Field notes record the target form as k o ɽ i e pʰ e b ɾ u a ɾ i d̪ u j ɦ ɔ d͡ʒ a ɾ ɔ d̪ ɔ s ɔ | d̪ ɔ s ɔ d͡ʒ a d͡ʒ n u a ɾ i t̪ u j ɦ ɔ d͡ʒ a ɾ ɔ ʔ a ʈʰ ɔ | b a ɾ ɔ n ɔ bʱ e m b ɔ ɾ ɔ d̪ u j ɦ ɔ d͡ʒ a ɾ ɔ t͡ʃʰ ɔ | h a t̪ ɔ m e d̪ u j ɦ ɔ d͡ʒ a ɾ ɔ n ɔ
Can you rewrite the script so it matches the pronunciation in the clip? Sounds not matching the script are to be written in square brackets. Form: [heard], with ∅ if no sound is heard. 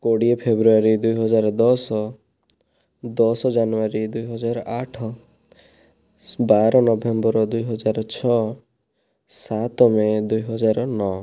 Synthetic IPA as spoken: k o ɽ i e pʰ e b ɾ u a ɾ i d̪ u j ɦ ɔ d͡ʒ a ɾ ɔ d̪ ɔ s ɔ | d̪ ɔ s ɔ d͡ʒ a [∅] n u a ɾ i [d̪] u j ɦ ɔ d͡ʒ a ɾ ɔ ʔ a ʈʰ ɔ | b a ɾ ɔ n ɔ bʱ e m b ɔ ɾ ɔ d̪ u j ɦ ɔ d͡ʒ a ɾ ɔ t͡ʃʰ ɔ | [s] a t̪ ɔ m e d̪ u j ɦ ɔ d͡ʒ a ɾ ɔ n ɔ